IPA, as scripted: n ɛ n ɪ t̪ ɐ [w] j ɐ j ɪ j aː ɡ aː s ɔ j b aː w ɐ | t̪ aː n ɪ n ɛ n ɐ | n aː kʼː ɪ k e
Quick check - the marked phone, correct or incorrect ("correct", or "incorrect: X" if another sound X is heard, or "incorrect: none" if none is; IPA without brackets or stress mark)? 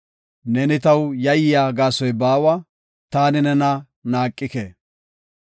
correct